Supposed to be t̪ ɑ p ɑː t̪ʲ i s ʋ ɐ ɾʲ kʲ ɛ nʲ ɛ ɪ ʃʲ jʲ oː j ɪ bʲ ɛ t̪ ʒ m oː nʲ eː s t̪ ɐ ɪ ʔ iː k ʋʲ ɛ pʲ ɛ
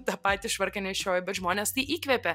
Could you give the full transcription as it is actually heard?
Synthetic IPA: t̪ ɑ p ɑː t̪ʲ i ʃ ʋ ɐ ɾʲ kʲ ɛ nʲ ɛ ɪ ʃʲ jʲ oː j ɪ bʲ ɛ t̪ ʒ m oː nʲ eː s t̪ ɐ ɪ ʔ iː k ʋʲ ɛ pʲ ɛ